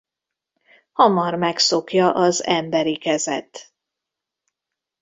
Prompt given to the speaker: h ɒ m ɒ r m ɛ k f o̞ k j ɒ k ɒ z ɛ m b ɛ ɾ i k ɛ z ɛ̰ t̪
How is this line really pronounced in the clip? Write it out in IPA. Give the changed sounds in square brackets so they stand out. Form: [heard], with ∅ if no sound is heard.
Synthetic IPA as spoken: h ɒ m ɒ r m ɛ k [s] o̞ k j ɒ [ʔ] ɒ z ɛ m b ɛ ɾ i k ɛ z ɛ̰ t̪